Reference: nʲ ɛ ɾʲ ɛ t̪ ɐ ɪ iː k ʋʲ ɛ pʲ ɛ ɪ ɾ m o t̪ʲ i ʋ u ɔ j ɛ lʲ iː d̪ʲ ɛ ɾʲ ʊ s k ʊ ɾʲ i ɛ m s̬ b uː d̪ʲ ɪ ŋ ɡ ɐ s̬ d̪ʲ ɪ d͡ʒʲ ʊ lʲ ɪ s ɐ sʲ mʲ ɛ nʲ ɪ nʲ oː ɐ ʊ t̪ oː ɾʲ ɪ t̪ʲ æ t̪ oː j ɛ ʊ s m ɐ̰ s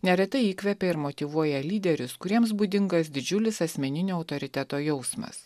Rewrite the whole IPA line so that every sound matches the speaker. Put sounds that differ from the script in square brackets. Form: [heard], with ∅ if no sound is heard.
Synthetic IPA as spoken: nʲ ɛ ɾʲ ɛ t̪ ɐ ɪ iː k ʋʲ ɛ pʲ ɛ ɪ ɾ m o t̪ʲ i ʋ u ɔ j ɛ lʲ iː d̪ʲ ɛ ɾʲ ʊ s k ʊ ɾʲ i ɛ m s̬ b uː d̪ʲ ɪ ŋ ɡ ɐ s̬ d̪ʲ ɪ d͡ʒʲ ʊ lʲ ɪ s ɐ sʲ mʲ ɛ nʲ ɪ nʲ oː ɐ ʊ t̪ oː ɾʲ ɪ t̪ʲ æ t̪ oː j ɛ ʊ s m ɐ̰ s